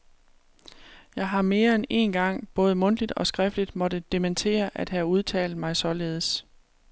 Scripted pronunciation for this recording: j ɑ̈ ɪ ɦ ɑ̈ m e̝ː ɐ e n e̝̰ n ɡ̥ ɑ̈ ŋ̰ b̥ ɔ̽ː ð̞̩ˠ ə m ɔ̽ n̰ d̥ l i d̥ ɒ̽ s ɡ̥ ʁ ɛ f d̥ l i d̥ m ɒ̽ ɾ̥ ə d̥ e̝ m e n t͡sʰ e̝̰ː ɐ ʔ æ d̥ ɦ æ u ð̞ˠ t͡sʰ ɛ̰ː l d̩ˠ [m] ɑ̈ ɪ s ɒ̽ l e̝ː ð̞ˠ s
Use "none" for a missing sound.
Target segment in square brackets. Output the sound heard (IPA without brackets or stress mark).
m